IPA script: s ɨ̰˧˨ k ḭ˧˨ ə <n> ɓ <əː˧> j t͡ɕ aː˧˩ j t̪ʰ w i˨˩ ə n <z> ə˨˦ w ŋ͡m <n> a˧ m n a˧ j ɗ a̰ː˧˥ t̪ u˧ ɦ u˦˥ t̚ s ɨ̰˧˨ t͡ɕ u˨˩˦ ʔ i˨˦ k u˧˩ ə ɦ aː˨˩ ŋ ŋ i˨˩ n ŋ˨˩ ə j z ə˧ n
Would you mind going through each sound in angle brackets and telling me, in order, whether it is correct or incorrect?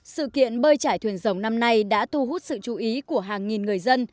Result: correct, correct, correct, correct

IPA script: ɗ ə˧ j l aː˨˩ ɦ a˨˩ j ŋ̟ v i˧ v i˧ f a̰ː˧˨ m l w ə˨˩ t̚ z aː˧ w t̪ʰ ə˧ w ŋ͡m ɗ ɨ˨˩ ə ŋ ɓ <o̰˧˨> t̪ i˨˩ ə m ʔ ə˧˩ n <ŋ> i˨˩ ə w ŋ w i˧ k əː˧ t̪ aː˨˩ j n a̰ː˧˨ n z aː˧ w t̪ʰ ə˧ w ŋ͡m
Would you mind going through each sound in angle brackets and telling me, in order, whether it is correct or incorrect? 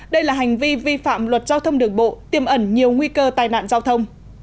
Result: correct, incorrect: ɲ

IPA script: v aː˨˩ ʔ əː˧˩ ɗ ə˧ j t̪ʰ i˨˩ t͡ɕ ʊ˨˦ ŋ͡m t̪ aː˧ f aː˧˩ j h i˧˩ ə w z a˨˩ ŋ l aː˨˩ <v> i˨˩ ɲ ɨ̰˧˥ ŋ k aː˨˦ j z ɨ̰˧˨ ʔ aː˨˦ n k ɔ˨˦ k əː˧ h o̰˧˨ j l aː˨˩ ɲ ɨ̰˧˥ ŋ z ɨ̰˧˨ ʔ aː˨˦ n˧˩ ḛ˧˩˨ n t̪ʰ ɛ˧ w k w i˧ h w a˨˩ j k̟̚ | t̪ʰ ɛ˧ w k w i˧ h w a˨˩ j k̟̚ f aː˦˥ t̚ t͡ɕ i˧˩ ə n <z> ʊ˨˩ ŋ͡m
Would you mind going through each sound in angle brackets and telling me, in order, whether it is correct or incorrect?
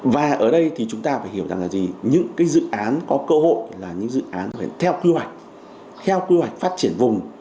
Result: incorrect: z, incorrect: v

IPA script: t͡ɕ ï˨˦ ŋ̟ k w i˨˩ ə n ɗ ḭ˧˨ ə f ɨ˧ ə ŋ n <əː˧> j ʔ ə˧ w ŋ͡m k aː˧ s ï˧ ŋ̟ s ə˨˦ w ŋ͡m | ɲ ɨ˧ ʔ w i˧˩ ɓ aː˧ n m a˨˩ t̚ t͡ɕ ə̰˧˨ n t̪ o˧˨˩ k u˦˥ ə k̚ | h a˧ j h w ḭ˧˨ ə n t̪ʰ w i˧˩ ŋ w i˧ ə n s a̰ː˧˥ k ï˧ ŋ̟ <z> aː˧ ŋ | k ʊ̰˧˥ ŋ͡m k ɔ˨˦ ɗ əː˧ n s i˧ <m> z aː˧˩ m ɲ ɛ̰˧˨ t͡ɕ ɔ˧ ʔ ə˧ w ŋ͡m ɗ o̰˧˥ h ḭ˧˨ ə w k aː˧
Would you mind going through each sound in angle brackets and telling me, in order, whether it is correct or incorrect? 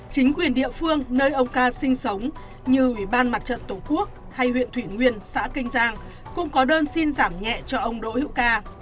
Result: correct, correct, incorrect: n

